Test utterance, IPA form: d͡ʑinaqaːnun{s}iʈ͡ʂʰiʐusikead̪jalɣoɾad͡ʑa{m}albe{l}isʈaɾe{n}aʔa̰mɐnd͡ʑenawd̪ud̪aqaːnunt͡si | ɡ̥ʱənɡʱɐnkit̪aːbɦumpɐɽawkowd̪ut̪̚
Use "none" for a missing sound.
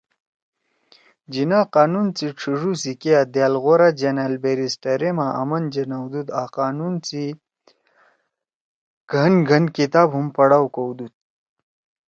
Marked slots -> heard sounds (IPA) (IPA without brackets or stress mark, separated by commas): t͡s, n, ɾ, m